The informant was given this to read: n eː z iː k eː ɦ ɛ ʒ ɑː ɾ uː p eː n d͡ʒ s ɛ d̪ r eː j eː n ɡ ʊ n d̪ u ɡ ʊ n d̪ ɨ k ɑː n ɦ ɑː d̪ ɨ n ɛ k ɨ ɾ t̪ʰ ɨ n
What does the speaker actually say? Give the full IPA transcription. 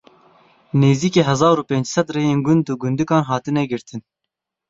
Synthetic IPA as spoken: n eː z iː k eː ɦ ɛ z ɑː ɾ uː p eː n d͡ʒ s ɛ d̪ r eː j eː n ɡ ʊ n d̪ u ɡ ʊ n d̪ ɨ k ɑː n ɦ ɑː t̪ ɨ n ɛ ɡ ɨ ɾ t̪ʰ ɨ n